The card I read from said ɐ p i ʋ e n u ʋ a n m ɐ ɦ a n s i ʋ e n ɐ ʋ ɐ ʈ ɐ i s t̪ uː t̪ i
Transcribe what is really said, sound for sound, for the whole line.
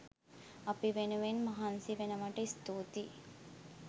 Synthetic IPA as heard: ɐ p i ʋ e n u ʋ e n m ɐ ɦ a n s i ʋ e n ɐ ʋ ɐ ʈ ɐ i s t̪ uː t̪ i